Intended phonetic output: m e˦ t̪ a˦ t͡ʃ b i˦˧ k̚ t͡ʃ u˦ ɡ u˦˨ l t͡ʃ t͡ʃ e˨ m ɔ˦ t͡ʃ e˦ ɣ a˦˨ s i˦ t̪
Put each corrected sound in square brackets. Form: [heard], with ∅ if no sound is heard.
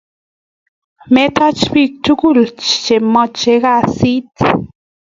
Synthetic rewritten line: m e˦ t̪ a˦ t͡ʃ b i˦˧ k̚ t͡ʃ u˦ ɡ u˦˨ l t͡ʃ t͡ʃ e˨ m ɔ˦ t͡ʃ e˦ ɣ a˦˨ s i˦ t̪